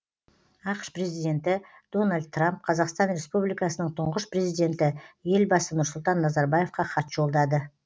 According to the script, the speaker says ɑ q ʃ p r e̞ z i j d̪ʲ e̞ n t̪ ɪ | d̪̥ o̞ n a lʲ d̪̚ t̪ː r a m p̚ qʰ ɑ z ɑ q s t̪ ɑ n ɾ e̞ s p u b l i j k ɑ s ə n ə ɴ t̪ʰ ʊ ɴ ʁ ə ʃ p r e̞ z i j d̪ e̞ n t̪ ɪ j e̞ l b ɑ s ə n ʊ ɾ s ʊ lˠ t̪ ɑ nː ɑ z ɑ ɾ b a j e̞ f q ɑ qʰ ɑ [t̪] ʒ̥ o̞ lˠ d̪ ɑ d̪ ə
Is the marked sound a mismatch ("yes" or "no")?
no